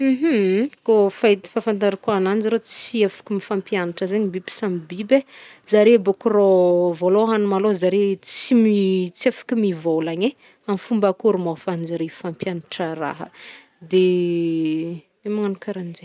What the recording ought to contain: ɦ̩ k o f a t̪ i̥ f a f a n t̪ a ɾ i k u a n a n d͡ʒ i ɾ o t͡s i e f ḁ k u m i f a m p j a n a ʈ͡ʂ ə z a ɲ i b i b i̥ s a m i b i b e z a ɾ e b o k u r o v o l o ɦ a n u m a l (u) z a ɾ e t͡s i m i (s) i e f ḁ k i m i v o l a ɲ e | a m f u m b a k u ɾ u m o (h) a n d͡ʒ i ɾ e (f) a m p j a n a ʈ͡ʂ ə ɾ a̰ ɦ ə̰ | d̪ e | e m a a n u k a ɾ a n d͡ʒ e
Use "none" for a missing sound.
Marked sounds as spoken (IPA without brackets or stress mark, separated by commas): o, t͡s, f, f